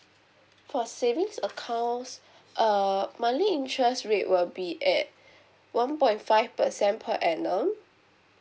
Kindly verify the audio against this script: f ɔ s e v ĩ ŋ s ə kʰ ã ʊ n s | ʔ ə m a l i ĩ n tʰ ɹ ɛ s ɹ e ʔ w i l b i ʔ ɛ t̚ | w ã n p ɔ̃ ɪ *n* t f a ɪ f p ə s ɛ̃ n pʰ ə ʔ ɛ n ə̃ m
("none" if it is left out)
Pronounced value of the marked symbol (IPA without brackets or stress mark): n